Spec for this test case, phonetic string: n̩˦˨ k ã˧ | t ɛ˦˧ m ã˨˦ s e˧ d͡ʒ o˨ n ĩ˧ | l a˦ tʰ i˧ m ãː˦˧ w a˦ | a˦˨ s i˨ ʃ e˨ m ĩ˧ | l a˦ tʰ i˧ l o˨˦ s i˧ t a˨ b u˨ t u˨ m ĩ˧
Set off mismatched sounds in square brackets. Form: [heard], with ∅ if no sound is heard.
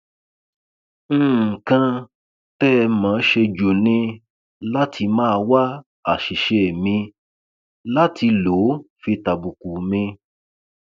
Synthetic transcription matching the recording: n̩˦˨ k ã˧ | t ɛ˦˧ m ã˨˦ [ʃ] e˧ d͡ʒ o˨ n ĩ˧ | l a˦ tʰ i˧ m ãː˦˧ w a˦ | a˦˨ [ʃ] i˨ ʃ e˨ m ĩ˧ | l a˦ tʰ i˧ l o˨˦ [f] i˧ t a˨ b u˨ [k] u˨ m ĩ˧